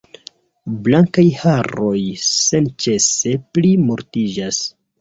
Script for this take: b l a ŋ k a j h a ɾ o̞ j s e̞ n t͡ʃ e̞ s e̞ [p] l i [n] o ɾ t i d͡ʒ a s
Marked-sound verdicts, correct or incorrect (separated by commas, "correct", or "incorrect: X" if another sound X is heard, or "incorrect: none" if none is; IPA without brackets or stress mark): correct, incorrect: m